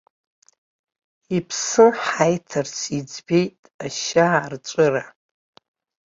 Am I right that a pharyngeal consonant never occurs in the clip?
no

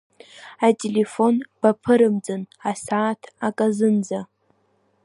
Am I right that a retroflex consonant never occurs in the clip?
yes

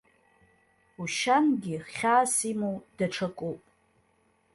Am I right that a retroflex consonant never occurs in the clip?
no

